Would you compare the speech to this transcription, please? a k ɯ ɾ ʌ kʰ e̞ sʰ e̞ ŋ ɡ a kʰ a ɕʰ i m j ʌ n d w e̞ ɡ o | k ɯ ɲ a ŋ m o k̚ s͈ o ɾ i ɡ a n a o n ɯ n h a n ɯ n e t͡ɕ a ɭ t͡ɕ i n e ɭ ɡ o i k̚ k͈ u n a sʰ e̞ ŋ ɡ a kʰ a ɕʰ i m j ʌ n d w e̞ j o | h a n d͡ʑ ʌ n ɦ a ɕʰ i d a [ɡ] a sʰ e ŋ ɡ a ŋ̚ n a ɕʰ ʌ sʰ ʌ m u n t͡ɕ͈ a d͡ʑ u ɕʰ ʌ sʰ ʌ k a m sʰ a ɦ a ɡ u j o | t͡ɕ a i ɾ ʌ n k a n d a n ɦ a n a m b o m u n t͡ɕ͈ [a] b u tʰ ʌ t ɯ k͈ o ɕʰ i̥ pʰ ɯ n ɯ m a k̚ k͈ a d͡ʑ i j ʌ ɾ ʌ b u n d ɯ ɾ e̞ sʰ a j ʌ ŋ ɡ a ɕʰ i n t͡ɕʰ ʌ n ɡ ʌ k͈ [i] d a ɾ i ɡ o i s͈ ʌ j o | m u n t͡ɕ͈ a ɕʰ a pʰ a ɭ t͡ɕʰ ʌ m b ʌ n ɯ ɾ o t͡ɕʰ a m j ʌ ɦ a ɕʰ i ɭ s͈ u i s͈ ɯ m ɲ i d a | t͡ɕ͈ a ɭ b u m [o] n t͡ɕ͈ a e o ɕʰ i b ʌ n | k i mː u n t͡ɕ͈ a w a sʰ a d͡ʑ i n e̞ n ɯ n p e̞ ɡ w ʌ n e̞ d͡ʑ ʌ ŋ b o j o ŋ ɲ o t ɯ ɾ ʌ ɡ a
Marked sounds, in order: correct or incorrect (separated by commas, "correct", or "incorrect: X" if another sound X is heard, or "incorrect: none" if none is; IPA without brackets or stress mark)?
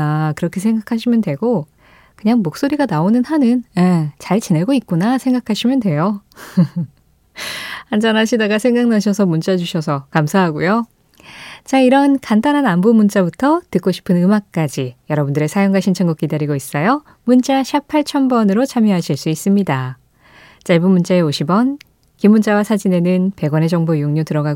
correct, correct, correct, incorrect: u